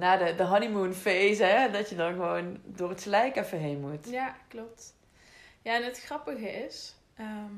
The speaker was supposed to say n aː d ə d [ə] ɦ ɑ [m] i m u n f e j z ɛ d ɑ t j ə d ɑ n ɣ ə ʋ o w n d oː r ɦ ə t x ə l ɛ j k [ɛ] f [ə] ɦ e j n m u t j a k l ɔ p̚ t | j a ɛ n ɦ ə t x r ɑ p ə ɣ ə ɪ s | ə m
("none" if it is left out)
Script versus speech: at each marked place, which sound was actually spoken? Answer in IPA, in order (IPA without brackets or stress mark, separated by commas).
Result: ə, n, ɛ, ə